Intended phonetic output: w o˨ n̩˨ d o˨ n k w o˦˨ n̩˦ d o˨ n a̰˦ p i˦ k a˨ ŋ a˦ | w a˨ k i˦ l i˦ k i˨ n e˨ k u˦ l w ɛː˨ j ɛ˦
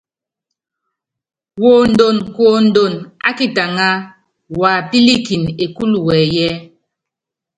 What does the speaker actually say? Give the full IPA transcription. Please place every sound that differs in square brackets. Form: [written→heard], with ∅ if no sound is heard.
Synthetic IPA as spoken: w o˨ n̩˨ d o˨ n k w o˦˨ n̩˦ d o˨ n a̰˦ [p→k] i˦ [k→t] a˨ ŋ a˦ | w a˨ [k→p] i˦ l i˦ k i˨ n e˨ k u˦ l w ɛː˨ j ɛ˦